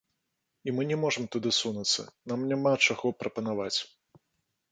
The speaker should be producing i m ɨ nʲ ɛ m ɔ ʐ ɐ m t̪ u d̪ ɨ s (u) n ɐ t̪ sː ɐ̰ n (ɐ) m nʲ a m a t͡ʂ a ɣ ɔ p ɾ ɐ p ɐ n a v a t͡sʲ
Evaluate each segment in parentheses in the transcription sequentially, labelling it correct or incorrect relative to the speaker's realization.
correct, incorrect

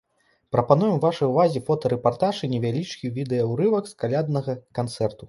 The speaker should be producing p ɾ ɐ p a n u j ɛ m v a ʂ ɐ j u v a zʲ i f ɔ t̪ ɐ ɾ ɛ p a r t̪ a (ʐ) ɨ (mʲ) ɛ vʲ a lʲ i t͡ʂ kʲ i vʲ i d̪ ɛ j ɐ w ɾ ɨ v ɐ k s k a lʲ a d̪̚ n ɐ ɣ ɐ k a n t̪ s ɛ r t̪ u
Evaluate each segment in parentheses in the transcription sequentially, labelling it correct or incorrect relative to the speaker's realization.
correct, incorrect

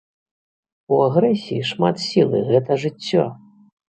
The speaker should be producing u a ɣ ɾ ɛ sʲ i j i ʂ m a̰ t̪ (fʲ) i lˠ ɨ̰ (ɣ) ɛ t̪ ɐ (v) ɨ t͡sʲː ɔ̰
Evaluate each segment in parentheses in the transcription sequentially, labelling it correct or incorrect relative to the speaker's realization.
incorrect, correct, incorrect

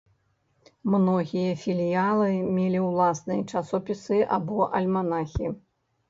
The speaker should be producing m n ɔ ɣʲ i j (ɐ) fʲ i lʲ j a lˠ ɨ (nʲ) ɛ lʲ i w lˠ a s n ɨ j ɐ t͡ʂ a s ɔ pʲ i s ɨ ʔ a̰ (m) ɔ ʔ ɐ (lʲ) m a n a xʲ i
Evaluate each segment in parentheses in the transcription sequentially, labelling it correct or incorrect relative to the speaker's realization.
correct, incorrect, incorrect, correct

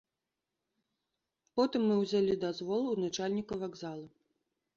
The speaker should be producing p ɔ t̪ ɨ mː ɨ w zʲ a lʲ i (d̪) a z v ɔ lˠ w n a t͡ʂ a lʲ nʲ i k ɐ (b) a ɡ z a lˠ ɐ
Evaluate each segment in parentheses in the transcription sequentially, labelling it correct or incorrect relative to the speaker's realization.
correct, incorrect

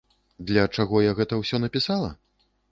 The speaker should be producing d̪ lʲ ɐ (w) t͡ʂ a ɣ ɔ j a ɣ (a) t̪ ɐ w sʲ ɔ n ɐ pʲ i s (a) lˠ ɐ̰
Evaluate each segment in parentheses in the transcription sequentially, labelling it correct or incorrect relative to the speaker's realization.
incorrect, incorrect, correct

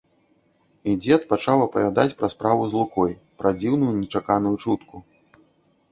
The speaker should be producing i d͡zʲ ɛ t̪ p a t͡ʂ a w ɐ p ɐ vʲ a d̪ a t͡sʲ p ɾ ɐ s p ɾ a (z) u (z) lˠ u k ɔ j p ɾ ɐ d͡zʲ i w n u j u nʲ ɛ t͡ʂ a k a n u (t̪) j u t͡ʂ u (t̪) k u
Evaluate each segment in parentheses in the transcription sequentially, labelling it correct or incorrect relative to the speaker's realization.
incorrect, correct, incorrect, correct

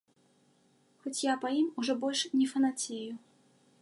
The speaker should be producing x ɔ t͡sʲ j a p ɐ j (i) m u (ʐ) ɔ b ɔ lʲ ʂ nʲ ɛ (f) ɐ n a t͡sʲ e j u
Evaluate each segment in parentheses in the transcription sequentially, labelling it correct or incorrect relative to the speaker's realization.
correct, correct, correct

